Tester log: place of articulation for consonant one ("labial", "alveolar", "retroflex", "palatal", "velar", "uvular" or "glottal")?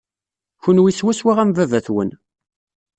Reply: palatal